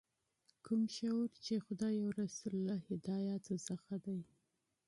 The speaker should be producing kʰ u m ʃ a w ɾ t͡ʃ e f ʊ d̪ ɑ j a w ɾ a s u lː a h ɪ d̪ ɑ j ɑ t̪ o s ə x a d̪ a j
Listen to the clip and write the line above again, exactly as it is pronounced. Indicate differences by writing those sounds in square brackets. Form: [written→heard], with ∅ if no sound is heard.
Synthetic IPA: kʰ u m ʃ a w ɾ t͡ʃ e [f→x] ʊ d̪ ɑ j a w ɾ a s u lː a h ɪ d̪ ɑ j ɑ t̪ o s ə x a d̪ a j